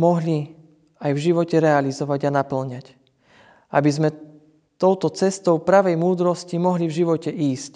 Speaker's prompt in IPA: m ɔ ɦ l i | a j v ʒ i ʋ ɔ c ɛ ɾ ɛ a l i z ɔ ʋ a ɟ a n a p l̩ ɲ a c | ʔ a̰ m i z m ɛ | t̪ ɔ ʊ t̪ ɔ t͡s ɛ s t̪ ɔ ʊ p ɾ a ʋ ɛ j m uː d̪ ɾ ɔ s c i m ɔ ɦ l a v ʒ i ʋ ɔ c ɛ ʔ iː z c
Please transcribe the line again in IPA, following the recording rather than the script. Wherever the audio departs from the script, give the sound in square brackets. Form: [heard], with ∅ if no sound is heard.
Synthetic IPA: m ɔ ɦ l i | a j v ʒ i ʋ ɔ c ɛ ɾ ɛ a l i z ɔ ʋ a ɟ a n a p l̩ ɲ a c | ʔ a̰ [b] i z m ɛ | t̪ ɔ ʊ t̪ ɔ t͡s ɛ s t̪ ɔ ʊ p ɾ a ʋ ɛ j m uː d̪ ɾ ɔ s c i m ɔ ɦ l [i] v ʒ i ʋ ɔ c ɛ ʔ iː [s] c